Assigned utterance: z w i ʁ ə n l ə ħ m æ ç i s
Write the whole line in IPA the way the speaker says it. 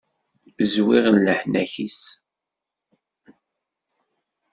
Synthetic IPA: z w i ʁ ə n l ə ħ n æ ç i s